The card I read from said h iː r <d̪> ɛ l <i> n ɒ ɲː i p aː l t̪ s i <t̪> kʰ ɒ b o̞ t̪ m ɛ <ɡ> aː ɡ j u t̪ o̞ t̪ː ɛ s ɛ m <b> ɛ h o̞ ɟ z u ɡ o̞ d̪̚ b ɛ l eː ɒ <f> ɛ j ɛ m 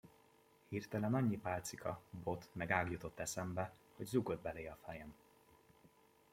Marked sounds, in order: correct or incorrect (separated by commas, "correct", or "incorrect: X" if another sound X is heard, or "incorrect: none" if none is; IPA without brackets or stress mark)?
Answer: incorrect: t̪, incorrect: ɛ, incorrect: none, correct, correct, correct